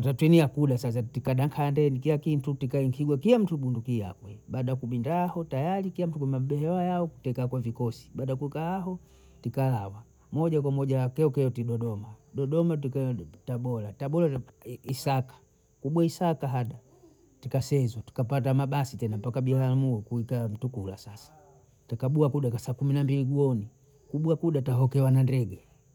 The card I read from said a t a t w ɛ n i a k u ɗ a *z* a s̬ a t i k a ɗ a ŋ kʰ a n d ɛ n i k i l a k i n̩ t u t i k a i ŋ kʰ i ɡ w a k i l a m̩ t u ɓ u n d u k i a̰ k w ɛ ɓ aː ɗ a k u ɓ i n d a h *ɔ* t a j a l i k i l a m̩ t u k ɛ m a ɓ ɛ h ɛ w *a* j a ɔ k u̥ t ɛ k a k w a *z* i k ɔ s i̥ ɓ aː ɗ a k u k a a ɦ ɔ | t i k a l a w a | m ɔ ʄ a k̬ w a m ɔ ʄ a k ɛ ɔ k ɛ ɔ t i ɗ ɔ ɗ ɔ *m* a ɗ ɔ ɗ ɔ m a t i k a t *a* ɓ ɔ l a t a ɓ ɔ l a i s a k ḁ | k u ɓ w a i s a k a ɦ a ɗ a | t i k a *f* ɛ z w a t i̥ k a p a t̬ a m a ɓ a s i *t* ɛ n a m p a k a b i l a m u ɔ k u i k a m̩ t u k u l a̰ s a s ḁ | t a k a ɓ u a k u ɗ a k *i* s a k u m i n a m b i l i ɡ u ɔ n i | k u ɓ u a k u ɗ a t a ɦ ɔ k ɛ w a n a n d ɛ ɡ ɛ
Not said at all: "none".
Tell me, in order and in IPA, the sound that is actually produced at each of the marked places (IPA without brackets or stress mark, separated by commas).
s, ɔ, a, v, m, a, s, t, a